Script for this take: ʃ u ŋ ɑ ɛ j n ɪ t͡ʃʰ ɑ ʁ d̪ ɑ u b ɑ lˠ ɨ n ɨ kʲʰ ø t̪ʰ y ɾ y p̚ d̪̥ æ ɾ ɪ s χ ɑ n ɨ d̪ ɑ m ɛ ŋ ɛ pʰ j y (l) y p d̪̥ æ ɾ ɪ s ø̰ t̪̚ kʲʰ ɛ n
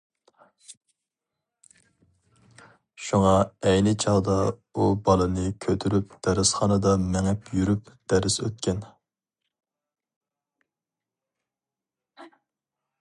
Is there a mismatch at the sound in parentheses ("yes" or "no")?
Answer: yes